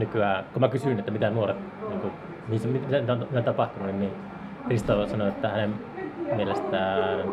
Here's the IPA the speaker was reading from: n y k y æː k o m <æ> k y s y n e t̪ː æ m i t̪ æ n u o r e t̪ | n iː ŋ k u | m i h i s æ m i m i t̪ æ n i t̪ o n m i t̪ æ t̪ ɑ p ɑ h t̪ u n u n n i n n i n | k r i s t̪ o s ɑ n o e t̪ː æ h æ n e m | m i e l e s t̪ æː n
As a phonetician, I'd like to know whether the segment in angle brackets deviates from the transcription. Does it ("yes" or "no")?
no